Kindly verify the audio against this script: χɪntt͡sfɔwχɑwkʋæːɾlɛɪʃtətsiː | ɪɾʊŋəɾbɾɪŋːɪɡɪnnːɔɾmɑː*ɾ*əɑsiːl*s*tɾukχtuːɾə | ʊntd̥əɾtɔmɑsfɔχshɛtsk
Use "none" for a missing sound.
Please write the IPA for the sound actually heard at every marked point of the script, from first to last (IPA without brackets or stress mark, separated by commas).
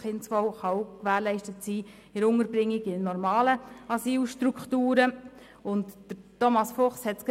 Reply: l, ʃ